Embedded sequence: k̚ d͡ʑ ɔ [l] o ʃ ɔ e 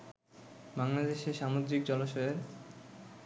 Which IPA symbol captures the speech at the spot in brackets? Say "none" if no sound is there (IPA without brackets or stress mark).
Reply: l